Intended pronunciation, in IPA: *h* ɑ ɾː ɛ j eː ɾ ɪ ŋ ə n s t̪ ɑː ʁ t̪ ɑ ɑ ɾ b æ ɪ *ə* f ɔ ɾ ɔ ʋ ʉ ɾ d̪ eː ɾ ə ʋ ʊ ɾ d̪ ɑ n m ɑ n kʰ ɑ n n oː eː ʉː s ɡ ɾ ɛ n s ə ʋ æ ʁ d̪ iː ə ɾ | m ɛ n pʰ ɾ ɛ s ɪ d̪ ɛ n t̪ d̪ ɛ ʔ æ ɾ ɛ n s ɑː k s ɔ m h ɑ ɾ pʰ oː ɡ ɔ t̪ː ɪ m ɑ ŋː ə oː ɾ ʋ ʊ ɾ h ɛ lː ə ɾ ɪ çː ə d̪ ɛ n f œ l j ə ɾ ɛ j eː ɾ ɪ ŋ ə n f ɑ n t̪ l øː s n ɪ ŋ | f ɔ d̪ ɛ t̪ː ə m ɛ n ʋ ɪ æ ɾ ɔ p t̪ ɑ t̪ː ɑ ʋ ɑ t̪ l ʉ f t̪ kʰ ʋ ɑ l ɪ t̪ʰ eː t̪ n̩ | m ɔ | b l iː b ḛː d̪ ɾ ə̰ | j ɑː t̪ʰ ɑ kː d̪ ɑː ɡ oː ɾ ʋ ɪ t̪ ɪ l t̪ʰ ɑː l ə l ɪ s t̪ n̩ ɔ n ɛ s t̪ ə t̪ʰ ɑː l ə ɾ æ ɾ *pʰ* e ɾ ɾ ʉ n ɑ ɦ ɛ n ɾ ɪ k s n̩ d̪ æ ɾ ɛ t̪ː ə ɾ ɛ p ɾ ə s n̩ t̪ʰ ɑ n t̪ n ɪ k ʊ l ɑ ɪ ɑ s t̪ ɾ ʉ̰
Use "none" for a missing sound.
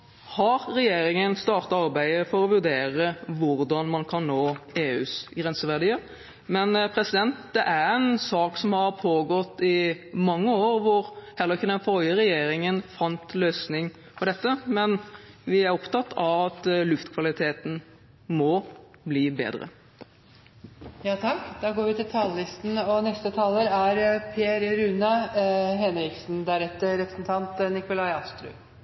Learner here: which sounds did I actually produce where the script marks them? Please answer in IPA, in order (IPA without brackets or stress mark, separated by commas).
h, ə, pʰ